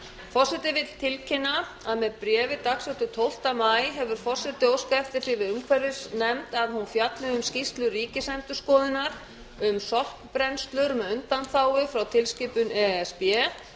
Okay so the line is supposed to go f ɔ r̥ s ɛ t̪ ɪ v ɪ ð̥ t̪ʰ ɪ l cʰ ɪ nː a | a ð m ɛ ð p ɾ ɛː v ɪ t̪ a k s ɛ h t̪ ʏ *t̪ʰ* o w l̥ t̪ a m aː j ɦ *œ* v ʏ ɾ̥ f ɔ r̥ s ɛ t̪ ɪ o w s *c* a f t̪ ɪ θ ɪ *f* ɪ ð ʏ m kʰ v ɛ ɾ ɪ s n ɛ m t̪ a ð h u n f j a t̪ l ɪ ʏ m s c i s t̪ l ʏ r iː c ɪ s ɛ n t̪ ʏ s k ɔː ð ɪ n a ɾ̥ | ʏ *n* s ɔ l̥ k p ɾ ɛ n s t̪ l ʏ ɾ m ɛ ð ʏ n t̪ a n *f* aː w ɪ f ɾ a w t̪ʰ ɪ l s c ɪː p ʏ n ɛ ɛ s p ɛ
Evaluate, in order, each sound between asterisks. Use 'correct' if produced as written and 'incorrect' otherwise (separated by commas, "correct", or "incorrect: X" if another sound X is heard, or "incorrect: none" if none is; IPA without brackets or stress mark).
correct, incorrect: ɛ, incorrect: k, incorrect: v, incorrect: m, incorrect: θ